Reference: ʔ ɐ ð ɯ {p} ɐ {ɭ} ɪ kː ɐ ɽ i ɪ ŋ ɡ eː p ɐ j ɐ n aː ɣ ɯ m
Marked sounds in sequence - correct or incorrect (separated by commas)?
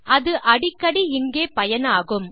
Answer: incorrect, incorrect